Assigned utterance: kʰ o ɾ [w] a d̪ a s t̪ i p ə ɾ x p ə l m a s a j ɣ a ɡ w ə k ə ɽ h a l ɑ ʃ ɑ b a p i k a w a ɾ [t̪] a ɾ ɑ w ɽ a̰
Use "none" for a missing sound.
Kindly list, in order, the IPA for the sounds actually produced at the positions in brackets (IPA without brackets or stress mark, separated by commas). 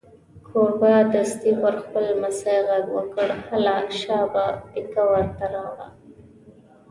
b, t̪